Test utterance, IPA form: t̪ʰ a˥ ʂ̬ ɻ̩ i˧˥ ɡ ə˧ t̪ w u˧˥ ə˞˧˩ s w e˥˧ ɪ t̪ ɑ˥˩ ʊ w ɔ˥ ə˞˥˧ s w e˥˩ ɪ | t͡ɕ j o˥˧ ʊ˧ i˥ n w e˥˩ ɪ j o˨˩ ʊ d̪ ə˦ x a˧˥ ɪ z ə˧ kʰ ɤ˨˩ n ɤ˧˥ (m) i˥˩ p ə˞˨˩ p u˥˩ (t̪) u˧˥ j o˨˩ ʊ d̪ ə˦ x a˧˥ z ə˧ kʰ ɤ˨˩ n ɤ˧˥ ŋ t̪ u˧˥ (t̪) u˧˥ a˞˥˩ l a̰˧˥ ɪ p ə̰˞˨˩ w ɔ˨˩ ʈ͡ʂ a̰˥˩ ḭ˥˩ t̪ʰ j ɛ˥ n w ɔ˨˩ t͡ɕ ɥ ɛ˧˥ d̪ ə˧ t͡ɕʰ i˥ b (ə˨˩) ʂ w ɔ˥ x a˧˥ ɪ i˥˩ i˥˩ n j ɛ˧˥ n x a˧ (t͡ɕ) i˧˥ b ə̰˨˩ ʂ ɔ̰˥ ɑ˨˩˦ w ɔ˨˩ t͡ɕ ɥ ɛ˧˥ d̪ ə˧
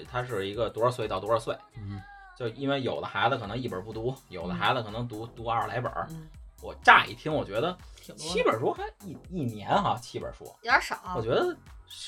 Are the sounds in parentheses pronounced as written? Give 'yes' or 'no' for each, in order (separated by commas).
no, yes, yes, yes, no